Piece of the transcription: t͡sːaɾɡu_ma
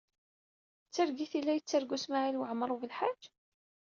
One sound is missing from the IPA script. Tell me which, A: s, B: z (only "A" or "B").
A